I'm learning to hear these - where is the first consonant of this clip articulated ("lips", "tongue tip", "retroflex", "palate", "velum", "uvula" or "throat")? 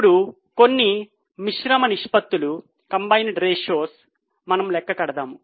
retroflex